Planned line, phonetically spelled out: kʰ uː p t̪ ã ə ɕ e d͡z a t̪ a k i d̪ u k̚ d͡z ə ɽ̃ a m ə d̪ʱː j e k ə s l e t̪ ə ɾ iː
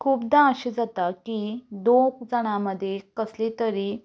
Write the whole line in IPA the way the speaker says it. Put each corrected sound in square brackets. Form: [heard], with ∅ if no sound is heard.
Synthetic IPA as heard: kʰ uː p [d̪] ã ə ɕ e d͡z a t̪ a k i d̪ [o] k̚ d͡z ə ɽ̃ a m ə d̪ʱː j e k ə s l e t̪ ə ɾ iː